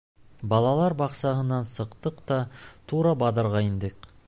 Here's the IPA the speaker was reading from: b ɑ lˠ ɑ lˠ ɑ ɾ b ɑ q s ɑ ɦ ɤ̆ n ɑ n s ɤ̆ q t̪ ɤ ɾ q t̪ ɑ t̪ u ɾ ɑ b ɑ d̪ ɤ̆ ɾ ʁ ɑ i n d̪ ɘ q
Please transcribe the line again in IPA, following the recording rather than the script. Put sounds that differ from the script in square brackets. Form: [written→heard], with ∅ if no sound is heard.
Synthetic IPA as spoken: b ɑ lˠ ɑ lˠ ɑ ɾ b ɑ q s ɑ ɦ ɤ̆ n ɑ n s ɤ̆ q t̪ ɤ [ɾ→∅] q t̪ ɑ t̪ u ɾ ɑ b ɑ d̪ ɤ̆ ɾ ʁ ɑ i n d̪ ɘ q